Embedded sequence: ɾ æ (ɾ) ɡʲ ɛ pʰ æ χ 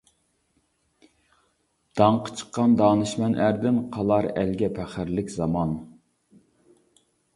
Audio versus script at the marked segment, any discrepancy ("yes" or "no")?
yes